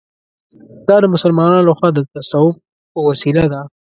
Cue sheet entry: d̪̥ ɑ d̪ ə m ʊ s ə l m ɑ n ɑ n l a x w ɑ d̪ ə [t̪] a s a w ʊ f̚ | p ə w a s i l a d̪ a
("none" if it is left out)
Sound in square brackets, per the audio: t̪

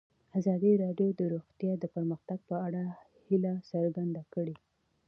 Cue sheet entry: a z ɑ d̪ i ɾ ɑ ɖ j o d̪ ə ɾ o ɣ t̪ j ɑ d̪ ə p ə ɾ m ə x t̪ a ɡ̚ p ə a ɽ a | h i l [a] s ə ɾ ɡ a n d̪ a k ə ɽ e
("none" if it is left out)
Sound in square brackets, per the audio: a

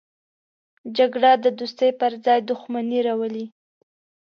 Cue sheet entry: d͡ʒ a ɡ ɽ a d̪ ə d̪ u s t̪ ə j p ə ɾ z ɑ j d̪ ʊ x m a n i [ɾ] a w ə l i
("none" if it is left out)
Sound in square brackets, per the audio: ɾ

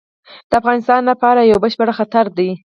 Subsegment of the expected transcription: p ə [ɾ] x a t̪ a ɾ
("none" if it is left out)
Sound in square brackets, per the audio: ɽ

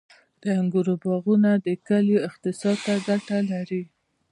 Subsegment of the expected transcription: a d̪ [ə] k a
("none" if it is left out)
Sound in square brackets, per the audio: ə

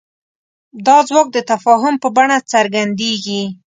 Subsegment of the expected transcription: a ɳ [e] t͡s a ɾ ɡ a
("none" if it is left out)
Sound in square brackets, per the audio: a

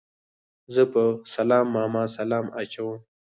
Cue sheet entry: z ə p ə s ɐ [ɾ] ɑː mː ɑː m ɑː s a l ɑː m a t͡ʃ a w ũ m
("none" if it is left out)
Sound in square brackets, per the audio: l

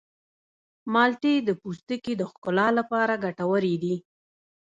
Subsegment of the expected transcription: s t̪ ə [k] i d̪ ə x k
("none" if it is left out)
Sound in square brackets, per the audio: k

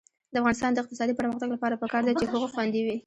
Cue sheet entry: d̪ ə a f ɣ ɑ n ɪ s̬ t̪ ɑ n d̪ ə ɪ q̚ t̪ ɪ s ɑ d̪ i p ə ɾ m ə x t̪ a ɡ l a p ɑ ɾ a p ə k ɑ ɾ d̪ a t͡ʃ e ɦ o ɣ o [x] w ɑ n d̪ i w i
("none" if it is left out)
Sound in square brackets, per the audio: x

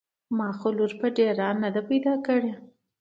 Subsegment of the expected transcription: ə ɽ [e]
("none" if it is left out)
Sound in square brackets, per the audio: e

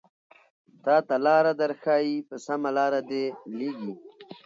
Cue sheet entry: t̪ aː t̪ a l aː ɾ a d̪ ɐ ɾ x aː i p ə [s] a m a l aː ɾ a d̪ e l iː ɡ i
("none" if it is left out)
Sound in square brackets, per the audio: s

